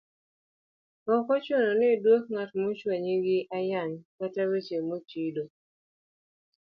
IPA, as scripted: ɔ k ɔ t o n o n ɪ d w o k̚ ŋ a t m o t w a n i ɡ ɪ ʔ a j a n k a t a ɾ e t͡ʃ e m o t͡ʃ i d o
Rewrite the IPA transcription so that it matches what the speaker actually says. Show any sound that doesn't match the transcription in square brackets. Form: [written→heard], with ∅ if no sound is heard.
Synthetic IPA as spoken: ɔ k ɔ [t→t͡ʃ] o n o n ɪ d w o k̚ ŋ a t m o [t→t͡ʃ] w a [n→ɲ] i ɡ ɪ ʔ a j a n k a t a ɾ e t͡ʃ e m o t͡ʃ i d o